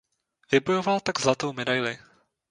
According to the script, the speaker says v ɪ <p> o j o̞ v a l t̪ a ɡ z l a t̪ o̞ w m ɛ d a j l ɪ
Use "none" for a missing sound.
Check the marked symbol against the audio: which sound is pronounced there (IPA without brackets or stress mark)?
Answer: b